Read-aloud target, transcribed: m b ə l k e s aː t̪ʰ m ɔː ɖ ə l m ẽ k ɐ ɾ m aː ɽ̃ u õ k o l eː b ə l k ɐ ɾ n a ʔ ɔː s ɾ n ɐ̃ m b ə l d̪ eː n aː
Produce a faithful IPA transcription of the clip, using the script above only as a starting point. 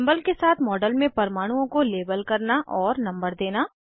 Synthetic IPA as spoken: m b ə l k e s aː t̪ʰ m ɔː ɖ ə l m ẽ p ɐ ɾ m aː ɽ̃ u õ k o l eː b ə l k ɐ ɾ n a ʔ ɔː ɾ n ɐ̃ m b ə ɾ d̪ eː n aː